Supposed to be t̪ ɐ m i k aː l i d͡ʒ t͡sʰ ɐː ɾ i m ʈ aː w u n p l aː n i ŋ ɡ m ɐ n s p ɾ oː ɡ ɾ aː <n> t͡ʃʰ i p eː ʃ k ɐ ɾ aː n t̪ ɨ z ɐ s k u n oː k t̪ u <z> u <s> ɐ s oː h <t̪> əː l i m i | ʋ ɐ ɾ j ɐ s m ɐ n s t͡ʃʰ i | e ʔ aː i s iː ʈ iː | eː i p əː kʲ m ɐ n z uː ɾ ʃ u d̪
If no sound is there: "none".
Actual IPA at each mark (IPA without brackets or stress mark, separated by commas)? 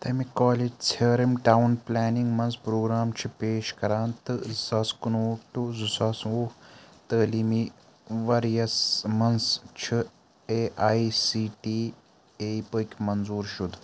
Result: m, z, s, t̪